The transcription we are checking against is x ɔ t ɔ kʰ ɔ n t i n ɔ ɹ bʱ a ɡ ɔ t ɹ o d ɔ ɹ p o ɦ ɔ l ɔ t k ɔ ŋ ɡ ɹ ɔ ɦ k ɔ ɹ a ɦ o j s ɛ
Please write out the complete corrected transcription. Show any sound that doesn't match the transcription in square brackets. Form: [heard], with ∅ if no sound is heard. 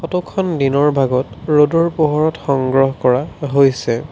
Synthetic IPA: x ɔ t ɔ kʰ ɔ n [d] i n ɔ ɹ bʱ a ɡ ɔ t ɹ o d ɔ ɹ p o ɦ ɔ [ɹ] ɔ t [x] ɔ ŋ ɡ ɹ ɔ ɦ k ɔ ɹ a ɦ o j s ɛ